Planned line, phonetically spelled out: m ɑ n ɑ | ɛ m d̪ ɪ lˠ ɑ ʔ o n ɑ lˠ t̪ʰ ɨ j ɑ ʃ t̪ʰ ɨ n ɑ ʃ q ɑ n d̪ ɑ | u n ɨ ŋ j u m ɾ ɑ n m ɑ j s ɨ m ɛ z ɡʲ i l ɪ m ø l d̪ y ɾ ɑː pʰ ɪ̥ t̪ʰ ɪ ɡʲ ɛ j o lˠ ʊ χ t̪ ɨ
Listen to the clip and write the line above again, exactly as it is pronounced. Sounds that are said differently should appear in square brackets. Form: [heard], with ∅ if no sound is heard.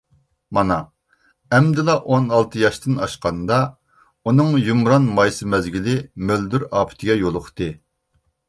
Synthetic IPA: m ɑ n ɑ | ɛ m d̪ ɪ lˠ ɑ ʔ o n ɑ lˠ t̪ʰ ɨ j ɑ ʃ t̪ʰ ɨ n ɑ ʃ q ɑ n d̪ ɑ | u n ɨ ŋ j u m ɾ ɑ n m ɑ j s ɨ m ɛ z ɡʲ i l ɪ m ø l d̪ y ɾ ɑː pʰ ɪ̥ t̪ʰ ɪ ɡʲ ɛ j o lˠ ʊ χ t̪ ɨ